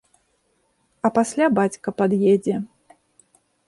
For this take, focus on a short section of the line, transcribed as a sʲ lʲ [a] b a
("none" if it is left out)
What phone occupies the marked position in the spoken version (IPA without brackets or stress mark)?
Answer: a